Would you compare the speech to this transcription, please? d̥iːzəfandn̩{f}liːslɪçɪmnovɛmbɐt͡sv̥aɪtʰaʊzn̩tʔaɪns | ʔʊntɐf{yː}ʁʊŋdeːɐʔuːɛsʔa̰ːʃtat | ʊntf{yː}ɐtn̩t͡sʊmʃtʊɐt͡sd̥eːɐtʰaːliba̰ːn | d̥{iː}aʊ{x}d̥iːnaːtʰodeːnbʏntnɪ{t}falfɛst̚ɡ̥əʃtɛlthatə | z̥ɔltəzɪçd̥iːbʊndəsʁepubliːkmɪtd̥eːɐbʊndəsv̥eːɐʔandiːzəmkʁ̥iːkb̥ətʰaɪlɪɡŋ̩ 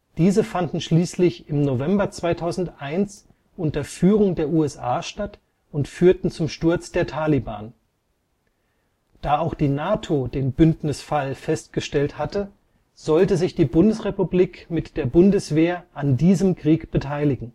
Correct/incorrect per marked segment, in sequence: incorrect: ʃ, correct, correct, incorrect: aː, correct, incorrect: s

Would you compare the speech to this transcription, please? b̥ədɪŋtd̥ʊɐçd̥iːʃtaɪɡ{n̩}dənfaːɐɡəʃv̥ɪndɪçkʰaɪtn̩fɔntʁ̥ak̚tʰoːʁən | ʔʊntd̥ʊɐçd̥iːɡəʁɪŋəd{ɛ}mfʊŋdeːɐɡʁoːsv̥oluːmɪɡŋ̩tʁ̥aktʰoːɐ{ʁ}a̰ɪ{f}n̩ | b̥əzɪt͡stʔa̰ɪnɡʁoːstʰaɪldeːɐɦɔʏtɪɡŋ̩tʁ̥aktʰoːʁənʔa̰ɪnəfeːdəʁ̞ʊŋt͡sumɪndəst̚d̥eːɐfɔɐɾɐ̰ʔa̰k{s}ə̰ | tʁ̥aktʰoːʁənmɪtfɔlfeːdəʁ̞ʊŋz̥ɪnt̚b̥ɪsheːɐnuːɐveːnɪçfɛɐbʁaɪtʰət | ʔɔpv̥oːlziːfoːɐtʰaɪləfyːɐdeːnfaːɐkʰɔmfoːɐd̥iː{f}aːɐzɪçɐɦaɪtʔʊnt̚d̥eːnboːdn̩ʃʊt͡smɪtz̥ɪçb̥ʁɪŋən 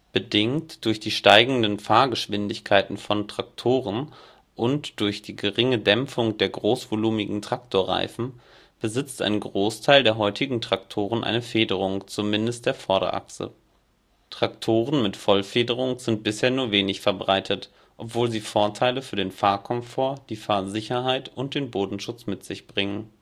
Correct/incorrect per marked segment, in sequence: incorrect: ŋ̩, correct, correct, correct, correct, correct

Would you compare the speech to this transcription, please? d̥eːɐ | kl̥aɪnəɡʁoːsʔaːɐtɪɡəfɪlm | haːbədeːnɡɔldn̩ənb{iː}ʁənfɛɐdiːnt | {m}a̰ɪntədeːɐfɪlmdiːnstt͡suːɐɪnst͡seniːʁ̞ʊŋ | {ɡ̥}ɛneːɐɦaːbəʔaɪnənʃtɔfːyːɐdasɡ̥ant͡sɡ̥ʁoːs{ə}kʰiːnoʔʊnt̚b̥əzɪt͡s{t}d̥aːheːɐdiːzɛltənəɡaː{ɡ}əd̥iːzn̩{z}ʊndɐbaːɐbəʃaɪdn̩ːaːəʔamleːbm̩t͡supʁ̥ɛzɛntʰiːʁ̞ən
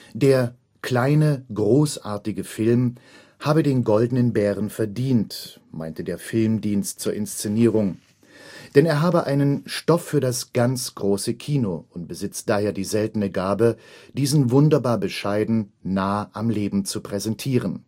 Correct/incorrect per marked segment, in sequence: incorrect: ɛː, correct, incorrect: d̥, correct, correct, incorrect: b, incorrect: v

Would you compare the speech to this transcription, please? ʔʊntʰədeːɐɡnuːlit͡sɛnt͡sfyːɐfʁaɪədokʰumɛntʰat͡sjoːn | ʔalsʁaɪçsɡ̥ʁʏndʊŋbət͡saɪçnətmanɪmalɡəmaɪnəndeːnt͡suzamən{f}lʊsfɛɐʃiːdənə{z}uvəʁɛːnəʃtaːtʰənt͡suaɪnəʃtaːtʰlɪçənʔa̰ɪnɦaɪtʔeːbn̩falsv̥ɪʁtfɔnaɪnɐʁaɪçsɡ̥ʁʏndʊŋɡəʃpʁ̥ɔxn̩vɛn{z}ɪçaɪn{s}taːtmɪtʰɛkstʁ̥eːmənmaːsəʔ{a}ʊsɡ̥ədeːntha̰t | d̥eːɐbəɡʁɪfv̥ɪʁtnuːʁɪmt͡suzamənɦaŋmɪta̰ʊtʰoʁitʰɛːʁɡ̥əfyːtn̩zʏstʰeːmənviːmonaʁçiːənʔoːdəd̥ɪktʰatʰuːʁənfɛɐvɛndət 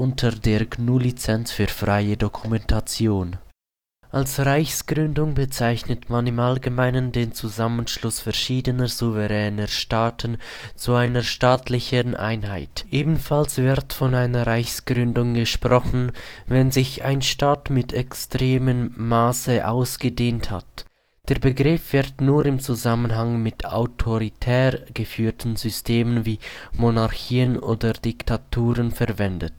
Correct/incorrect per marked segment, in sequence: incorrect: ʃ, correct, correct, incorrect: ʃ, correct

